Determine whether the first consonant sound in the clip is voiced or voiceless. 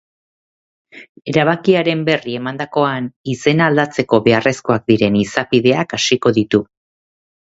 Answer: voiced